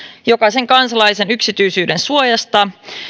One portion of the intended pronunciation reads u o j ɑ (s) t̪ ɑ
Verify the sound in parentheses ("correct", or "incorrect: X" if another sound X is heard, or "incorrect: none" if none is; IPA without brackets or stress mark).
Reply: correct